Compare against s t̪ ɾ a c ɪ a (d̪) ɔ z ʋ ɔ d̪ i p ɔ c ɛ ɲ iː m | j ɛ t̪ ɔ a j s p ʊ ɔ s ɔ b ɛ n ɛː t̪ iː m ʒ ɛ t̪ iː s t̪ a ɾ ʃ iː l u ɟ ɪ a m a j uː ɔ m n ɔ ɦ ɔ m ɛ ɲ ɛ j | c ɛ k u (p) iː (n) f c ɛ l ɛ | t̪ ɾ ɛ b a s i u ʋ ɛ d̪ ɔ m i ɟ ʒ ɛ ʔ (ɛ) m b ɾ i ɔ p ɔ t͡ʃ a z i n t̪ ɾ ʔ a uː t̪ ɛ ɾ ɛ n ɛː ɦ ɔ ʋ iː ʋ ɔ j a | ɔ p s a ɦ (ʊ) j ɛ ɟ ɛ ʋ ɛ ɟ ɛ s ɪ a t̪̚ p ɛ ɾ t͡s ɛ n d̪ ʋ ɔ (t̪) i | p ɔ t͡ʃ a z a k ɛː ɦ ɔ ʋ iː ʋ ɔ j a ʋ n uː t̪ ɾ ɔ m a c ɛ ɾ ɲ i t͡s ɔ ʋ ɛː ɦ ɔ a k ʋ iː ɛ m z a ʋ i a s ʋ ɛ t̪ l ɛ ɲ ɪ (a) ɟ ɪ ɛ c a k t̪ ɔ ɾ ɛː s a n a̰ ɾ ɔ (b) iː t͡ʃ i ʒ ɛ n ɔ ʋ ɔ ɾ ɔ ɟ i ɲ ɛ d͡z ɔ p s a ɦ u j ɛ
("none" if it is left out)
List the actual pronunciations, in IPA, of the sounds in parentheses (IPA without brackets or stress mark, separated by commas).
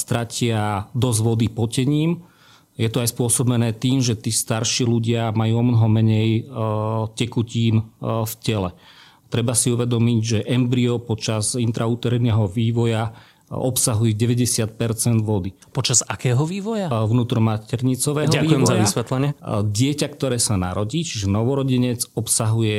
d̪, c, n, ɛ, u, d̪, ɛ, ɟ